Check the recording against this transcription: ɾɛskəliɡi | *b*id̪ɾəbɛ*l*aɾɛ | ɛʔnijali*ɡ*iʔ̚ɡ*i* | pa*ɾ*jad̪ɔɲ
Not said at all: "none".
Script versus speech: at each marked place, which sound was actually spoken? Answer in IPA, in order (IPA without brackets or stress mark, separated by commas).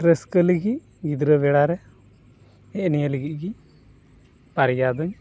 ɡ, ɽ, ɡ, i, ɾ